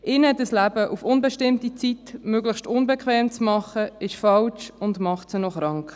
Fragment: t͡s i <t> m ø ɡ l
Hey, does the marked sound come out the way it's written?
yes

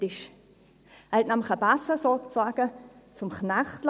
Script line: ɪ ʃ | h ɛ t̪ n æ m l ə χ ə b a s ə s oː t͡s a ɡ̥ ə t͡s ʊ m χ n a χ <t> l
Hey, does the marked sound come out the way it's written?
yes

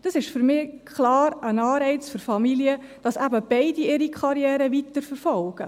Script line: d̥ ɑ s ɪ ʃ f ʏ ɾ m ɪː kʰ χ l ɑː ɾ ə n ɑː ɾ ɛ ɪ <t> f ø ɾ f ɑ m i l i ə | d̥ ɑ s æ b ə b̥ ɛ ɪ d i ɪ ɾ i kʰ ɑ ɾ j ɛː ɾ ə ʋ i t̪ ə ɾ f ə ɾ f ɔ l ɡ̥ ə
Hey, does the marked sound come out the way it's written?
no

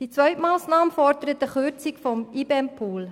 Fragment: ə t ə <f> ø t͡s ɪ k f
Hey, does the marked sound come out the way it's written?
no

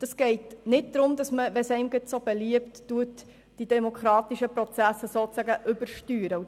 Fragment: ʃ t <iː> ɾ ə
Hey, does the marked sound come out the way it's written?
no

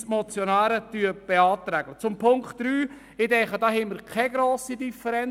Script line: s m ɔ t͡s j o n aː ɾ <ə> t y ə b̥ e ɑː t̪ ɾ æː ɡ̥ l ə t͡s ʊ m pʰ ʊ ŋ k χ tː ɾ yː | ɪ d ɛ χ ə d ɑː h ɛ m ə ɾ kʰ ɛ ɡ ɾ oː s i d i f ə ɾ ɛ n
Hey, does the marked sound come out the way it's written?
yes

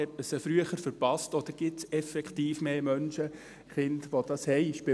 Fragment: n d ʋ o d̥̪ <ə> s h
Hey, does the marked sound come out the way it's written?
no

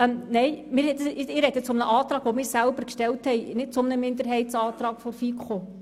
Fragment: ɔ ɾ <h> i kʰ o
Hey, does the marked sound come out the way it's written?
no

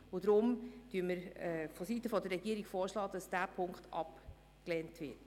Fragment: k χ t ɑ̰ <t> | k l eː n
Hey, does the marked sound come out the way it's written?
no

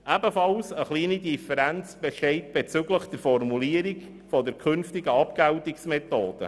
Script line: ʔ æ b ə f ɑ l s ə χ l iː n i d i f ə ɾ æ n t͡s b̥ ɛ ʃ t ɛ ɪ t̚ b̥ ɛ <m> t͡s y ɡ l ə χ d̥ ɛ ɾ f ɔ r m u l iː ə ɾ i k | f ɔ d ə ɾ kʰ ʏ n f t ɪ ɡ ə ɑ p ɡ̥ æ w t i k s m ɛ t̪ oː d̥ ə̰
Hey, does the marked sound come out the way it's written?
no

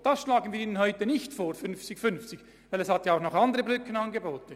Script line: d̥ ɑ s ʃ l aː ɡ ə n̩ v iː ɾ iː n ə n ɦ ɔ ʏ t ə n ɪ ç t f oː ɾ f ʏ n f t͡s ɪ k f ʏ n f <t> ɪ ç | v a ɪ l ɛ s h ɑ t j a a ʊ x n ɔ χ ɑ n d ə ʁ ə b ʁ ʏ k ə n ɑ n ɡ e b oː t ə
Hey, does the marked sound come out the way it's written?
no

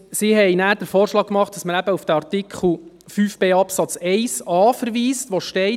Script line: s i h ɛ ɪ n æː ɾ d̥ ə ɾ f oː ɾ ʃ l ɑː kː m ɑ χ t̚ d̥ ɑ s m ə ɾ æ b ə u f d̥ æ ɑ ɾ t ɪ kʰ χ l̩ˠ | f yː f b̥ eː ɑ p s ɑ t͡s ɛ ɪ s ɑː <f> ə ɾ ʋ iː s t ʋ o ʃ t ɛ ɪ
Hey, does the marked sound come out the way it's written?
yes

